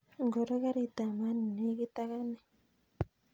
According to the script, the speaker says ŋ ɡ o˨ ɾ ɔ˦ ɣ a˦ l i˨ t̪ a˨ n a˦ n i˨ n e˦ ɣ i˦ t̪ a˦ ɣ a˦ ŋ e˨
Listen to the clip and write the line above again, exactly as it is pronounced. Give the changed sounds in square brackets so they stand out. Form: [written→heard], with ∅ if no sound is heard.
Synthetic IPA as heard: ŋ ɡ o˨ ɾ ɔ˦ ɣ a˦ [l→ɾ] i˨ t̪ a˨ [n→m] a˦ n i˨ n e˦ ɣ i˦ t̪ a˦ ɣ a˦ [ŋ→n] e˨